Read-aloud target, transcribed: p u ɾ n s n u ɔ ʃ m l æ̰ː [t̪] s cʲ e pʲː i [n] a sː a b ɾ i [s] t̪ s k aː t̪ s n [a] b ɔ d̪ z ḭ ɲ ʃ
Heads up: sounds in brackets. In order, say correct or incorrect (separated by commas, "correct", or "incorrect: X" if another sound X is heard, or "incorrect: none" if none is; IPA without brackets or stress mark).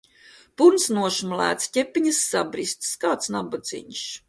correct, incorrect: ɲ, correct, correct